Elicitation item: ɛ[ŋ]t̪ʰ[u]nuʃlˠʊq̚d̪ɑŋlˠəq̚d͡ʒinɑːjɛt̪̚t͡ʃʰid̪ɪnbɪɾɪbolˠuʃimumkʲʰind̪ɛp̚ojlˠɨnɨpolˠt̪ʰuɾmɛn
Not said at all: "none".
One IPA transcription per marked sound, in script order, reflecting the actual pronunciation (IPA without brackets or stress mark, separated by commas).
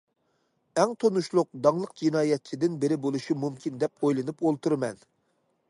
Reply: ŋ, o